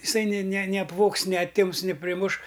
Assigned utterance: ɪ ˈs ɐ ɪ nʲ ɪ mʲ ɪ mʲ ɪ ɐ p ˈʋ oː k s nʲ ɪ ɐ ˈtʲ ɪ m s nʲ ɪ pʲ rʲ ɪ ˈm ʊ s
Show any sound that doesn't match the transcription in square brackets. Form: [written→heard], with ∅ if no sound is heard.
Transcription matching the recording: ɪ ˈs ɐ ɪ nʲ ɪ [mʲ→nʲ] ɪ [mʲ→nʲ] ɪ ɐ p ˈʋ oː k s nʲ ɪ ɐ ˈtʲ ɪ m s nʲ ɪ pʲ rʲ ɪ ˈm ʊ [s→ʃ]